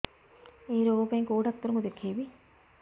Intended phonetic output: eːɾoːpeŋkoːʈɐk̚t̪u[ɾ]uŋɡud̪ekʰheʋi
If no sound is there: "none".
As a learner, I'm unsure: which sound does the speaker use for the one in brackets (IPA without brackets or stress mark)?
ɾ